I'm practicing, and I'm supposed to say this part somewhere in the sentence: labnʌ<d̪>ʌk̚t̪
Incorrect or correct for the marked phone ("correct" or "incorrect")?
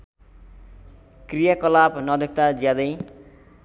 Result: correct